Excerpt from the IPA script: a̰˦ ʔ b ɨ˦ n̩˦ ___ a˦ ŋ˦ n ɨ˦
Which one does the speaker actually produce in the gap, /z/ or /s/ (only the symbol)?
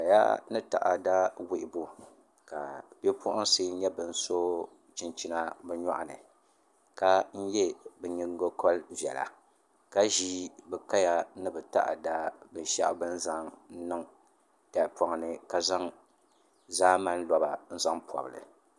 z